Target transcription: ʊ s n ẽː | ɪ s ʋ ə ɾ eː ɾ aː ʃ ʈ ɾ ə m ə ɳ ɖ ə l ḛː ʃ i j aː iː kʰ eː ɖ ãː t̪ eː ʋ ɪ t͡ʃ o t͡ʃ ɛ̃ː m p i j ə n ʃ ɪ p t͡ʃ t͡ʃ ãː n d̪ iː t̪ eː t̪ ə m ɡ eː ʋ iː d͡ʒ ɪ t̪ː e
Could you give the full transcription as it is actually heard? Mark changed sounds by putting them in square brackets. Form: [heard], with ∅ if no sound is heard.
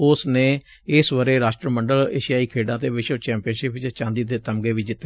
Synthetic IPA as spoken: ʊ s n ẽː | ɪ s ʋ ə ɾ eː ɾ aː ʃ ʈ ɾ ə m ə ɳ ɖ ə l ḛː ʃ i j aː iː kʰ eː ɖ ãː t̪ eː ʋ ɪ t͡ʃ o t͡ʃ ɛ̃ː m p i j ə n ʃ ɪ p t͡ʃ t͡ʃ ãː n d̪ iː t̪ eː t̪ ə m ɡ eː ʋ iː d͡ʒ ɪ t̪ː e